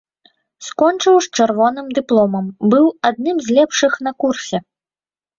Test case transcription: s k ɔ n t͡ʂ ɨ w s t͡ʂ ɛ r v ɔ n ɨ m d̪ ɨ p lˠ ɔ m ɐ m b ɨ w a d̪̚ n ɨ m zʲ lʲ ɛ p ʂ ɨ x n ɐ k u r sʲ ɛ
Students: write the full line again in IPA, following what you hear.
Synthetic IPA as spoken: s k ɔ n t͡ʂ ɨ w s t͡ʂ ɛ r v ɔ n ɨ m d̪ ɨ p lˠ ɔ m ɐ m b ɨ w a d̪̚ n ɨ m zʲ lʲ ɛ p ʂ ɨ x n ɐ k u r sʲ ɛ